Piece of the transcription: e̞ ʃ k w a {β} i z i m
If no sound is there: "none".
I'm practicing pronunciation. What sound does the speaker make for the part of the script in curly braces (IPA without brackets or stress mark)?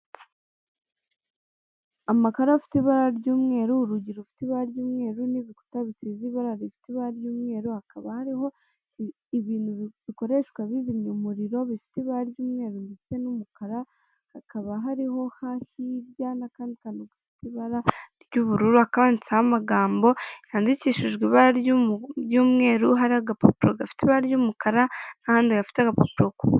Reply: β